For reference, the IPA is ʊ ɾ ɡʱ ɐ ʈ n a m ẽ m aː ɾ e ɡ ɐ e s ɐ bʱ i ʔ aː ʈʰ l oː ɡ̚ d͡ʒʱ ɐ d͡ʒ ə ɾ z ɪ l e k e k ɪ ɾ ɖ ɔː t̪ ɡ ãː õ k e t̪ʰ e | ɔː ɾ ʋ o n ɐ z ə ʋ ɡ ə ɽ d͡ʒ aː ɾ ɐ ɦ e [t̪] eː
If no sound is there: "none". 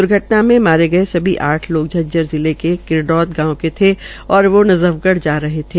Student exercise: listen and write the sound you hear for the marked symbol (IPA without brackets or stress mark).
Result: t̪ʰ